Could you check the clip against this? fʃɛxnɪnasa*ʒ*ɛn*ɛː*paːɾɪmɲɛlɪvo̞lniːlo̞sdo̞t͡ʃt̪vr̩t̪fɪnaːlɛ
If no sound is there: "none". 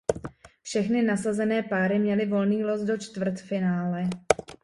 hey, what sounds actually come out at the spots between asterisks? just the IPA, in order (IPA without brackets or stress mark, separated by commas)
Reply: z, ɛː